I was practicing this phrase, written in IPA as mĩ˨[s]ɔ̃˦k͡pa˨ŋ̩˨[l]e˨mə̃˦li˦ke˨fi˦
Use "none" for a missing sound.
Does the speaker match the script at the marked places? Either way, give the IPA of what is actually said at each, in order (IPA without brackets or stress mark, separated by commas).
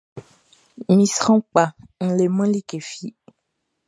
s, l